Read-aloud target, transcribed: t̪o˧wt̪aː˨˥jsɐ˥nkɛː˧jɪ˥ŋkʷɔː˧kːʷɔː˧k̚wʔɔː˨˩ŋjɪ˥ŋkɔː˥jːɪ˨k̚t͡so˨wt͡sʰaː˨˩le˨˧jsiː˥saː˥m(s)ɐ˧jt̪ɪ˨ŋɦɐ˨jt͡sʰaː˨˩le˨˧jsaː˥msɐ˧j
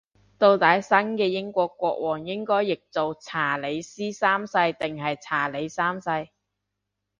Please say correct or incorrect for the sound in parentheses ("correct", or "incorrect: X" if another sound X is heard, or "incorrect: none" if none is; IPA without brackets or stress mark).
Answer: correct